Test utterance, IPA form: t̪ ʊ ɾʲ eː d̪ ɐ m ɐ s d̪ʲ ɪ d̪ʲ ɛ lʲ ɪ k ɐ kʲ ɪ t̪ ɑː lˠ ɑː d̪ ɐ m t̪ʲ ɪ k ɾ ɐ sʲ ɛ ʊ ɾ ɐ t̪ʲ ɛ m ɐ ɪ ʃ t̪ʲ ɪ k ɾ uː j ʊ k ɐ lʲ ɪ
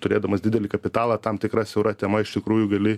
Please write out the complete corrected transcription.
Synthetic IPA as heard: t̪ ʊ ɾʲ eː d̪ ɐ m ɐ s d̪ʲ ɪ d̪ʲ ɛ lʲ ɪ k ɐ pʲ ɪ t̪ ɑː lˠ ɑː t̪ ɐ m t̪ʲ ɪ k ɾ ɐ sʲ ɛ ʊ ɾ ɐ t̪ʲ ɛ m ɐ ɪ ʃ t̪ʲ ɪ k ɾ uː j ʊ ɡ ɐ lʲ ɪ